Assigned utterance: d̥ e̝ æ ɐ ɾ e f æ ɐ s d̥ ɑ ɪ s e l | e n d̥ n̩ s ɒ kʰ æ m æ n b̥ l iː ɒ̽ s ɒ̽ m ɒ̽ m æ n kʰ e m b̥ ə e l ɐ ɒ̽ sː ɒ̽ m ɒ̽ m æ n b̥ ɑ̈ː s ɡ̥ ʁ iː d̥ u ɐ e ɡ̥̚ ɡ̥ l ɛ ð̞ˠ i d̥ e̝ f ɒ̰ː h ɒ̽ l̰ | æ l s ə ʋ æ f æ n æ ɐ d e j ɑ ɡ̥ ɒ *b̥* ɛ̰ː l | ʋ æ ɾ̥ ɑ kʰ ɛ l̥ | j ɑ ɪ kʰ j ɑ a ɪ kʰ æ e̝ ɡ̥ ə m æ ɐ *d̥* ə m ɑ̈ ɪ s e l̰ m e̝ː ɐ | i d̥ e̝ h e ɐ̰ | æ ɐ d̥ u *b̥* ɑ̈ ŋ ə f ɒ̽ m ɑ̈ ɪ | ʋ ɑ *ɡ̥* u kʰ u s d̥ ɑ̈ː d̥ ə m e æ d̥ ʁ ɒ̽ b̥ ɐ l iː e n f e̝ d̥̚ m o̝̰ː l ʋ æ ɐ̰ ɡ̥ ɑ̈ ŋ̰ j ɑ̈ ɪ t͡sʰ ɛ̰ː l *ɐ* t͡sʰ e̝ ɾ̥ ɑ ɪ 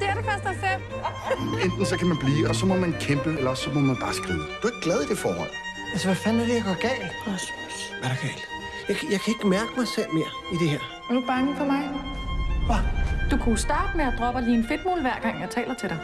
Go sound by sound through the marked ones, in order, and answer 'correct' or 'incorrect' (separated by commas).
incorrect, incorrect, correct, incorrect, correct